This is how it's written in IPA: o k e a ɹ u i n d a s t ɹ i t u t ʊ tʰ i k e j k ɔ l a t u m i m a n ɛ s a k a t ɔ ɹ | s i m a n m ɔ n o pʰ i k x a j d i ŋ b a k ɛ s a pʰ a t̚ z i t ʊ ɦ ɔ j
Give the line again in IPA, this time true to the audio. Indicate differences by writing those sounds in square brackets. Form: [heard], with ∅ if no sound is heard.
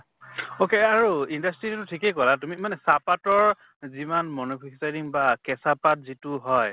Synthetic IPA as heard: o k e a ɹ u i n d a s t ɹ i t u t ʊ tʰ i k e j k ɔ l a t u m i m a n ɛ s a [p] a t ɔ ɹ | [z] i m a n m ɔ n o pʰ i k [s] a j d i ŋ b a k ɛ s a [p] a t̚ z i t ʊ ɦ ɔ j